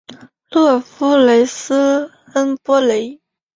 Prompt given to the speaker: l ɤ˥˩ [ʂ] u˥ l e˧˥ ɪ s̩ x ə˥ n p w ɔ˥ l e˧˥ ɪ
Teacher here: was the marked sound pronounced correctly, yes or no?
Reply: no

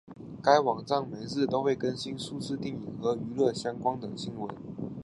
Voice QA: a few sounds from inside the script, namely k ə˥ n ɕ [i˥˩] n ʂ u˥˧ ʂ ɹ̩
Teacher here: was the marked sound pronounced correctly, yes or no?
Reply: no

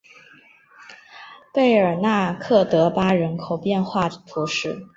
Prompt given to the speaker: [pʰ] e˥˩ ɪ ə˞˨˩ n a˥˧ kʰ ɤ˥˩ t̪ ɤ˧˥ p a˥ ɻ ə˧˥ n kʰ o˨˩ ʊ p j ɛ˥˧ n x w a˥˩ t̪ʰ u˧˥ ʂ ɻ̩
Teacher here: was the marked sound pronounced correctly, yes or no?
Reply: no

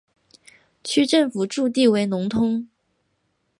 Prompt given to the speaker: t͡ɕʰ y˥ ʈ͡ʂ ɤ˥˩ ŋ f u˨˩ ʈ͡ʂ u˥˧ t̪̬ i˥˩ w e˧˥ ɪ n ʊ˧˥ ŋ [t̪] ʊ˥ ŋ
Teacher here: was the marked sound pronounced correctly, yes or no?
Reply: no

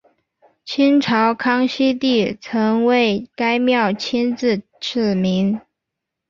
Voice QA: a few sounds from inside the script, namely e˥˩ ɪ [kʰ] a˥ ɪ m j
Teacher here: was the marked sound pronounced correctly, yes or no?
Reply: no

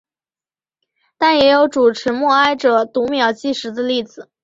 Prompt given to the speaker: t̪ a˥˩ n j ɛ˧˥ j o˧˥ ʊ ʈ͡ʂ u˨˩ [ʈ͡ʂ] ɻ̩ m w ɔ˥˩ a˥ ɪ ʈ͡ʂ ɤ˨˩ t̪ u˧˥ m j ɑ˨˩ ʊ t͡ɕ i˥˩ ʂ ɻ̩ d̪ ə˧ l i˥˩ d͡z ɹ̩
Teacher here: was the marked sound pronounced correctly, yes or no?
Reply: no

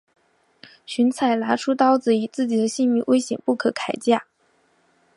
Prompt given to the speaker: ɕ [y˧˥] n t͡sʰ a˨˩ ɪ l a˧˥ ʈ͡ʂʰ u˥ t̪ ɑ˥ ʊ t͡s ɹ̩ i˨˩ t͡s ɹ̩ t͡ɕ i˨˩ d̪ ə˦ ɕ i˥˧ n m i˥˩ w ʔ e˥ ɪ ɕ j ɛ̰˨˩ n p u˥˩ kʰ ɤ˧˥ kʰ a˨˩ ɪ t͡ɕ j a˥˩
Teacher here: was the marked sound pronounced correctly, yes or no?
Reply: yes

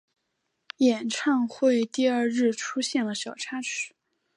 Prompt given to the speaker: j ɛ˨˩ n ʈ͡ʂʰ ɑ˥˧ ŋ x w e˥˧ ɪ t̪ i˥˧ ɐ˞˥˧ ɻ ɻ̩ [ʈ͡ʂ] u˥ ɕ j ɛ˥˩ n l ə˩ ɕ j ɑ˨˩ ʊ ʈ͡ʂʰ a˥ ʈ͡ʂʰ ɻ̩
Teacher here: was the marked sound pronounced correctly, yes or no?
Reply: no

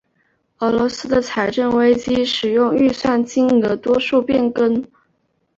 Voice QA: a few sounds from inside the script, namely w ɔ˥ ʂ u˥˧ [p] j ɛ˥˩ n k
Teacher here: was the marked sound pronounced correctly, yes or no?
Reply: yes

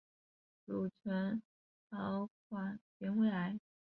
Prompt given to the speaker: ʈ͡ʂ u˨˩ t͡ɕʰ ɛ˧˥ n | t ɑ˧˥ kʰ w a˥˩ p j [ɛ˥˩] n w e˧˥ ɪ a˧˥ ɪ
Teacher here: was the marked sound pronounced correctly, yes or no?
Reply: no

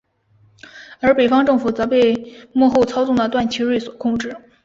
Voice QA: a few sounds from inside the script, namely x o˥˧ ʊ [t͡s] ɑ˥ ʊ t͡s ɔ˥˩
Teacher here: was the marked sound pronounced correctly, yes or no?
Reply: no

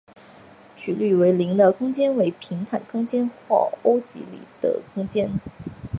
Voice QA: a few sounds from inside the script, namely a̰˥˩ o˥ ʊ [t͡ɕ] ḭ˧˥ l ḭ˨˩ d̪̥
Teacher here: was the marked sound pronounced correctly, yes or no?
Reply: yes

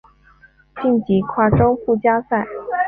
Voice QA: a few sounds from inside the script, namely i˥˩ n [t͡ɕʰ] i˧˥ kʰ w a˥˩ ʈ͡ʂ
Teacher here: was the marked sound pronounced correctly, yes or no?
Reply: no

